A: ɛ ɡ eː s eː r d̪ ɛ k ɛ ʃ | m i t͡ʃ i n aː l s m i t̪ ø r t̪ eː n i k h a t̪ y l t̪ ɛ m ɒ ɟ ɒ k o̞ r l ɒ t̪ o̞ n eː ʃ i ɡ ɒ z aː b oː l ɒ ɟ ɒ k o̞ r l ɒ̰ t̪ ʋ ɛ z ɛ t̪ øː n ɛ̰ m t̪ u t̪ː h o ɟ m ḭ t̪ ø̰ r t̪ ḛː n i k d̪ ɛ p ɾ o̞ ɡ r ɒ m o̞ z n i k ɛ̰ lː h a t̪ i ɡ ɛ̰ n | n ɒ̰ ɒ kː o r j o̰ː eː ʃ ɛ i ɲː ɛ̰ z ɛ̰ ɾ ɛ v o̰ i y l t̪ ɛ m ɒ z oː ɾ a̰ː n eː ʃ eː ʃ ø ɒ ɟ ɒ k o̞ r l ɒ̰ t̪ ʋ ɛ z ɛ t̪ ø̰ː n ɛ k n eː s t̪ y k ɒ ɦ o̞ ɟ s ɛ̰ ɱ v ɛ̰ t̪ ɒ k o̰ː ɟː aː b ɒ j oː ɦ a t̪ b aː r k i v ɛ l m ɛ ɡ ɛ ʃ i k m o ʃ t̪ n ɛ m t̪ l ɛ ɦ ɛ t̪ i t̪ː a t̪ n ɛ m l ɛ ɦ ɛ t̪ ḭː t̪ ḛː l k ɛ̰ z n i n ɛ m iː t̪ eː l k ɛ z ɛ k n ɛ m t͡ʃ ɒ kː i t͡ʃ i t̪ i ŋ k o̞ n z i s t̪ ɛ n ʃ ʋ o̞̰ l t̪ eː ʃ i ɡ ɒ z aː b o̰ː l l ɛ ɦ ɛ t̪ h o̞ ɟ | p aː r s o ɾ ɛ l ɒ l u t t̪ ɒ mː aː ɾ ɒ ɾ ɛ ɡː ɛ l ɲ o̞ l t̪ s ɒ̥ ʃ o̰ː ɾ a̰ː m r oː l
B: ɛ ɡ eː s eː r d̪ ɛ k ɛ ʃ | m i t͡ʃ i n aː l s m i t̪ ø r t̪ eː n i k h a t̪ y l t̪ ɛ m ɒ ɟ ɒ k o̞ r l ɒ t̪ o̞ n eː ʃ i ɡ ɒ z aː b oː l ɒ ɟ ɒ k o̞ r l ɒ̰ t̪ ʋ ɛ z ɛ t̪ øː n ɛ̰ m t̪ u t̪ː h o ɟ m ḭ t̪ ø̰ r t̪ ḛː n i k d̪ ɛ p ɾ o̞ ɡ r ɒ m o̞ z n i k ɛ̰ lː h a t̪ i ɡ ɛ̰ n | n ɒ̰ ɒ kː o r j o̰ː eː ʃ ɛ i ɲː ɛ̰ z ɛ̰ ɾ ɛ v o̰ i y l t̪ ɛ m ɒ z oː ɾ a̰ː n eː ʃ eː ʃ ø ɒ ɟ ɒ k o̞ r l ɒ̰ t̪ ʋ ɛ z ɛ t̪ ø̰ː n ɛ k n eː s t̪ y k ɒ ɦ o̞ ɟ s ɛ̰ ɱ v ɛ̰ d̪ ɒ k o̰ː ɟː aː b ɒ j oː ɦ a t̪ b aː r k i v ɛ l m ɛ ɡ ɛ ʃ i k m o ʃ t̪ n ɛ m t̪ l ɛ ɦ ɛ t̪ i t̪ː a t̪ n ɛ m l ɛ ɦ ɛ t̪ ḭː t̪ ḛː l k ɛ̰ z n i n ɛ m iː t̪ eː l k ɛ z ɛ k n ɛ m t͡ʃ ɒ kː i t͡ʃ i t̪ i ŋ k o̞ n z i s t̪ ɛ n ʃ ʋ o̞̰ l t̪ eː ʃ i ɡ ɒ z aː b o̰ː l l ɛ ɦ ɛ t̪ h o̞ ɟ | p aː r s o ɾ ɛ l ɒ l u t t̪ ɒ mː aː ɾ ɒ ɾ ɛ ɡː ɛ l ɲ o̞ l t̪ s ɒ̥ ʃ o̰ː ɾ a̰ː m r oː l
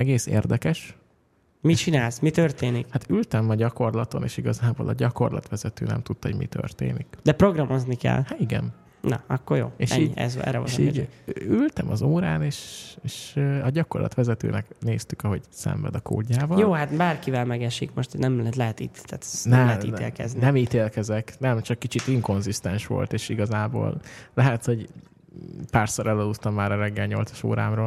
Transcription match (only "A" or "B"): B